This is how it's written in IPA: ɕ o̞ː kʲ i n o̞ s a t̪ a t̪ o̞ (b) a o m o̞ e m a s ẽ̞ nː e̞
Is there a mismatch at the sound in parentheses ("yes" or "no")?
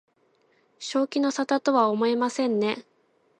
yes